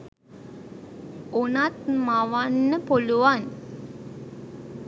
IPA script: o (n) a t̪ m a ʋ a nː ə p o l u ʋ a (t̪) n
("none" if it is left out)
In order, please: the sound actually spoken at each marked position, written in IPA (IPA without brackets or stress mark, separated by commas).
n, none